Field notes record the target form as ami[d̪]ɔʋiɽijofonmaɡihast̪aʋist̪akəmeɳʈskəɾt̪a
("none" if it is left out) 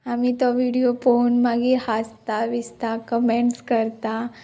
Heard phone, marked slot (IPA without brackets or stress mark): t̪